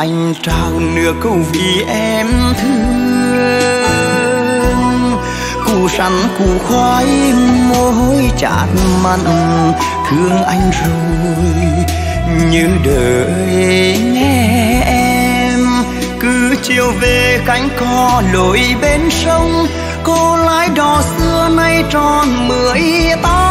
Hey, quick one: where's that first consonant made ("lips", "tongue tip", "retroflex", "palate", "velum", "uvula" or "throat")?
throat